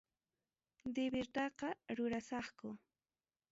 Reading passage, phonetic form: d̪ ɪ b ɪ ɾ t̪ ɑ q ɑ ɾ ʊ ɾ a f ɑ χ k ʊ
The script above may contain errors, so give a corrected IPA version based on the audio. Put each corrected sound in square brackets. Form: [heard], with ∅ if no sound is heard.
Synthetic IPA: d̪ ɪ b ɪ ɾ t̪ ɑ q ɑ ɾ ʊ ɾ a [s] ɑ χ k ʊ